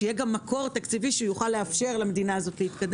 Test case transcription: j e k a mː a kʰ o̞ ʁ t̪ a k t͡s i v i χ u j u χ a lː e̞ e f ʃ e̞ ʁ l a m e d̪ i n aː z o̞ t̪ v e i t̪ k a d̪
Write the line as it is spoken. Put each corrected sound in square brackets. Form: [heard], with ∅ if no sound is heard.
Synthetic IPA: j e [ɡ] a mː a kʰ o̞ ʁ t̪ a k t͡s i v i [ʃ] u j u χ a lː e̞ [a] f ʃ e̞ ʁ l a m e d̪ i n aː z o̞ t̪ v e i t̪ k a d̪